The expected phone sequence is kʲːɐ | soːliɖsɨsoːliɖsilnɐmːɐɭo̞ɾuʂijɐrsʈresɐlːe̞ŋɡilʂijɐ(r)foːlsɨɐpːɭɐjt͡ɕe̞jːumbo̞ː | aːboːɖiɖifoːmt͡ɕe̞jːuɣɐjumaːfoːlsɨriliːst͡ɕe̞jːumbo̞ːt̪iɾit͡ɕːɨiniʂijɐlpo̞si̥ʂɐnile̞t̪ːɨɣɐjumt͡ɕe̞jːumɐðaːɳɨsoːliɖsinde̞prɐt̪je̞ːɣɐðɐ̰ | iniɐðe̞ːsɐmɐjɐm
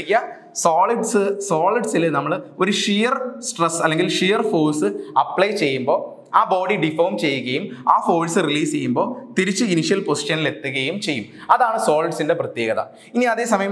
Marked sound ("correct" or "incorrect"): correct